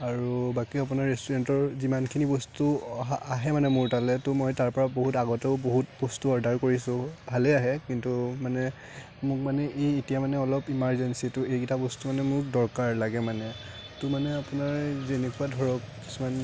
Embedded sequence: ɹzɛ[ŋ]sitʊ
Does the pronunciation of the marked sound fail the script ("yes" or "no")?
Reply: yes